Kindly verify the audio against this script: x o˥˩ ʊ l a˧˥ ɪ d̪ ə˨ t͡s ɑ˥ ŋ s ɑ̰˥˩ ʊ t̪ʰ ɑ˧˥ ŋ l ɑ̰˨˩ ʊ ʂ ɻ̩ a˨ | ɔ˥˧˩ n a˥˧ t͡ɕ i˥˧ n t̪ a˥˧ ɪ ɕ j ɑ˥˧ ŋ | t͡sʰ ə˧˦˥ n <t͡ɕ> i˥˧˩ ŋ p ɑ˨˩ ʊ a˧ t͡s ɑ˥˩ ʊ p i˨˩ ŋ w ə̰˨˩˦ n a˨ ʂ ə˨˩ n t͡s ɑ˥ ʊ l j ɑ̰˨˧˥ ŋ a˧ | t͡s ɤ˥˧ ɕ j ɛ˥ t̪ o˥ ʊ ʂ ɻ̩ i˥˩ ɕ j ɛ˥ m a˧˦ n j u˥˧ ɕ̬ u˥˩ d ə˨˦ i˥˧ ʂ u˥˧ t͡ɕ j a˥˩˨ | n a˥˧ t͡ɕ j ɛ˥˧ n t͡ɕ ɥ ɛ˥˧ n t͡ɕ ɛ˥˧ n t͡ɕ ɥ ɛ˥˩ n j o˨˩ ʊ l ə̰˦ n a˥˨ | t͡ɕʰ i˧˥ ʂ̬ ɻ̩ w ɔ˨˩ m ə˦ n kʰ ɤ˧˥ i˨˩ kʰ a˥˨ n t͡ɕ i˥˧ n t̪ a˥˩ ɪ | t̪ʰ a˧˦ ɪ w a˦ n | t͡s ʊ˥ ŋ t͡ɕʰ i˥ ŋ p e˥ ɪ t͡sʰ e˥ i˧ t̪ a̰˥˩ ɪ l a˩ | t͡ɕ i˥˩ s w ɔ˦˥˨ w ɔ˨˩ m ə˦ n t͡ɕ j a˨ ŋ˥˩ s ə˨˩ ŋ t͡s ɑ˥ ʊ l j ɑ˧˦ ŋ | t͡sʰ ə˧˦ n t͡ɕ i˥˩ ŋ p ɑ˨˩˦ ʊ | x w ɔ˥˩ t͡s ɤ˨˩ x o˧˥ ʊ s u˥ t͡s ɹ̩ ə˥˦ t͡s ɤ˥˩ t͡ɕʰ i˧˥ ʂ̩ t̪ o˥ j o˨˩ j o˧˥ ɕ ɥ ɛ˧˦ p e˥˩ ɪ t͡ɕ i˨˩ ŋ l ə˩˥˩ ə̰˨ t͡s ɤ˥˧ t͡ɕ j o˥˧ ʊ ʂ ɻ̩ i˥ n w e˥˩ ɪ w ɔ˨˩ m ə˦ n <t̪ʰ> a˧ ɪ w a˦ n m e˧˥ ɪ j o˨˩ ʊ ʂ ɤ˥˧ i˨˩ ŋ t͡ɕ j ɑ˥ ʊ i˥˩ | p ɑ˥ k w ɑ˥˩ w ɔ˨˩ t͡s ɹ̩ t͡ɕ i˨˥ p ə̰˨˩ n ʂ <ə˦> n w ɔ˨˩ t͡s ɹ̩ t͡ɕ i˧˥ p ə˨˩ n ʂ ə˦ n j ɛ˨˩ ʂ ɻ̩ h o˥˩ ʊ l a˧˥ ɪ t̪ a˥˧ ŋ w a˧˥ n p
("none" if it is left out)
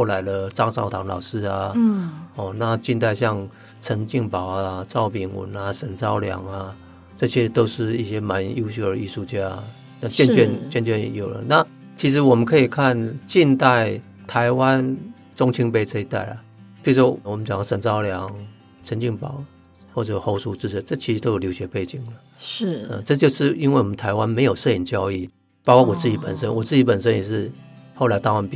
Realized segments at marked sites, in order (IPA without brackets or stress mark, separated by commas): t͡ɕ, t̪ʰ, ə˦